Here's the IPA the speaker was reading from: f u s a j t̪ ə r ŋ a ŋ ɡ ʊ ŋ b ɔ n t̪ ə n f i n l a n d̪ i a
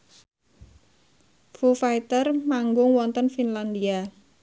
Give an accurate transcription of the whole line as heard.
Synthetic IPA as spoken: f u f a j t̪ ə r m a ŋ ɡ ʊ ŋ w ɔ n t̪ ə n f i n l a n d̪ i a